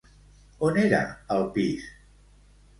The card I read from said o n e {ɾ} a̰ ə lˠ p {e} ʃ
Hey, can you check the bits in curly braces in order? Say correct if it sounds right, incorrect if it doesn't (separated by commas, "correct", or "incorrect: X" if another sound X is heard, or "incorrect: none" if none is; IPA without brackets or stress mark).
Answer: correct, incorrect: i